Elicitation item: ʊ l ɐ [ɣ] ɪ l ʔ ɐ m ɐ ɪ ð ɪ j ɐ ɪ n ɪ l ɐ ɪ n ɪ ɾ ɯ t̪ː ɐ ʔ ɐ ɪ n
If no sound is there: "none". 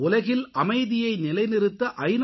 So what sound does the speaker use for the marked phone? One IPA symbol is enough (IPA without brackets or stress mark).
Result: ɣ